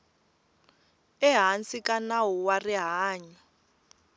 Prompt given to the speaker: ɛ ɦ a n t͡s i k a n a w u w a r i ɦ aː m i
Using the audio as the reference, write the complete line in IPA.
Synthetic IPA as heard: ɛ ɦ a n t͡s i k a n a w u w a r i ɦ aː ɲ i